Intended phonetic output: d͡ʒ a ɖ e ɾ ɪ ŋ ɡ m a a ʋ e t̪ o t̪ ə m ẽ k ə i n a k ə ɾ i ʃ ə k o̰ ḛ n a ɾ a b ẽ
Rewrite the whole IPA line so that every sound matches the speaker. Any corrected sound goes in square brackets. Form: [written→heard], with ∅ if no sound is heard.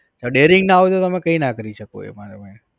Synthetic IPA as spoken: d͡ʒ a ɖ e ɾ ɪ ŋ ɡ [m→n] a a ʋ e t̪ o t̪ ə m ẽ k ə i n a k ə ɾ i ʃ ə k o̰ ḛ [n→m] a ɾ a [b→m] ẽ